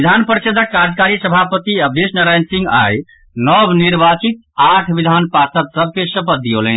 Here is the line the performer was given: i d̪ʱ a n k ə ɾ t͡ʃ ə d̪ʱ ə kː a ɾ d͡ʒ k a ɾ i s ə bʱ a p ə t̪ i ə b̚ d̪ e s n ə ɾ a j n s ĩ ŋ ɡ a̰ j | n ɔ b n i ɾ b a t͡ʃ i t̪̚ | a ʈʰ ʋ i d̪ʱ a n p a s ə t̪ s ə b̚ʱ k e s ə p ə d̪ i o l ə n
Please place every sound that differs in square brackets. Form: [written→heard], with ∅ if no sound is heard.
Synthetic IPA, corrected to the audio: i d̪ʱ a n [k→p] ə ɾ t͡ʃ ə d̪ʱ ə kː a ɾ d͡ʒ k a ɾ i s ə bʱ a p ə t̪ i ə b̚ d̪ e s n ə ɾ a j n s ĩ ŋ ɡ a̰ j | n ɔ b n i ɾ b a t͡ʃ i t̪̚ | a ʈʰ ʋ i d̪ʱ a n p a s ə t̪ s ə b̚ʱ k e s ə p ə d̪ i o l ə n